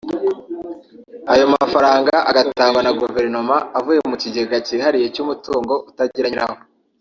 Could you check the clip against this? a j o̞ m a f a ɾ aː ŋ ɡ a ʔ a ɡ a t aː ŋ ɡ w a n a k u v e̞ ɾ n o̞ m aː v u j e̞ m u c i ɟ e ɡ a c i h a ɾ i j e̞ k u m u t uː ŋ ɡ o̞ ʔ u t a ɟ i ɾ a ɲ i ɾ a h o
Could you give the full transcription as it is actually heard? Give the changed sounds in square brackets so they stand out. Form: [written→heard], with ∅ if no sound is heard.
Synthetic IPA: a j o̞ m a f a ɾ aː ŋ ɡ a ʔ a ɡ a t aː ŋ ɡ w a n a [k→ɡ] u v e̞ ɾ n o̞ m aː v u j e̞ m u c i ɟ e ɡ a c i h a ɾ i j e̞ [k→c] u m u t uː ŋ ɡ o̞ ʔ u t a ɟ i ɾ a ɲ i ɾ a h o